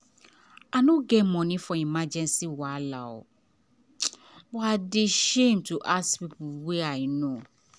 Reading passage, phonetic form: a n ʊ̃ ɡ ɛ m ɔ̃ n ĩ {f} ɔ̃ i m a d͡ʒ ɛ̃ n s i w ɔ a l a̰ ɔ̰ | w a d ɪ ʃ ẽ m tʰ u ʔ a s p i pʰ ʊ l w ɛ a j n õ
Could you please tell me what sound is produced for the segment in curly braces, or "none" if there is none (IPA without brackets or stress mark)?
f